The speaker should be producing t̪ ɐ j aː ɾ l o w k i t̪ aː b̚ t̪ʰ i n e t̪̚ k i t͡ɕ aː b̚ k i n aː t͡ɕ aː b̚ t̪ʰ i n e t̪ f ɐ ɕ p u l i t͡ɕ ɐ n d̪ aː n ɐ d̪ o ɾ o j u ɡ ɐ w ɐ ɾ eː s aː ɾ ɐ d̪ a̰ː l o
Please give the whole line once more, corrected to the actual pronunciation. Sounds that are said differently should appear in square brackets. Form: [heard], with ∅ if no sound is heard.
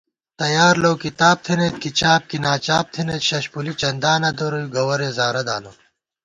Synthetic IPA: t̪ ɐ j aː ɾ l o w k i t̪ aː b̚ t̪ʰ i n e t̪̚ k i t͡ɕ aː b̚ k i n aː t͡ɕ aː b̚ t̪ʰ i n e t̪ [ɕ] ɐ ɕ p u l i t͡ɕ ɐ n d̪ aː n ɐ d̪ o ɾ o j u ɡ ɐ w ɐ ɾ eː [z] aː ɾ ɐ d̪ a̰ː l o